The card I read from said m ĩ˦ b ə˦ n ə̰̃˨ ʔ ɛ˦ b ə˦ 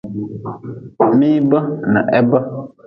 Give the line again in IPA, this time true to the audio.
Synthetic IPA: m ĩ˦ b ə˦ n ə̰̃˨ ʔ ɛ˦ b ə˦